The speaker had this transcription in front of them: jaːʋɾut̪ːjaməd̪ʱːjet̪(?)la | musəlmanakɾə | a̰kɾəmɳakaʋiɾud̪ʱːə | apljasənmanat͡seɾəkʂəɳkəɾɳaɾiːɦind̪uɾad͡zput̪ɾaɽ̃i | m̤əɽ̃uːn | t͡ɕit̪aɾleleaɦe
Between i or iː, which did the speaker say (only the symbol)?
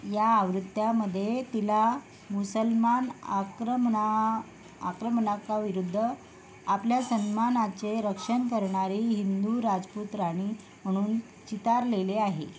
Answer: i